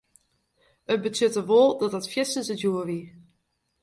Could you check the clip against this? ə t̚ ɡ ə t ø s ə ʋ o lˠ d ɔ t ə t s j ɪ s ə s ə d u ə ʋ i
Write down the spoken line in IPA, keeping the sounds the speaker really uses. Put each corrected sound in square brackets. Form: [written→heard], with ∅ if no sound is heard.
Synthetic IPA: ə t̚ [ɡ→b] ə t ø [s→t] ə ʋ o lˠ d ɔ t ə t [s→f] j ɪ s ə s ə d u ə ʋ i